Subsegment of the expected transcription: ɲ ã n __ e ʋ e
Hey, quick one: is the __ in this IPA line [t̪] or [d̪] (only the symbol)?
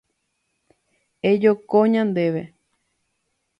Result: d̪